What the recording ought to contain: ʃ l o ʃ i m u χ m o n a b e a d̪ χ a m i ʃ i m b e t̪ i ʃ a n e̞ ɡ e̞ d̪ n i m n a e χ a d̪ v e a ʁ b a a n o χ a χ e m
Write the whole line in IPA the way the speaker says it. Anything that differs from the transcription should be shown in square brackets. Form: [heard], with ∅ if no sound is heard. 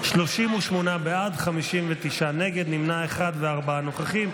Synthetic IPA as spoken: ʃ l o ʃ i m u [ʃ] m o n a b e a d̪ χ a m i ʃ i m [v] e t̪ i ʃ a n e̞ ɡ e̞ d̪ n i m n a e χ a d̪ v e a ʁ b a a n o χ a χ [i] m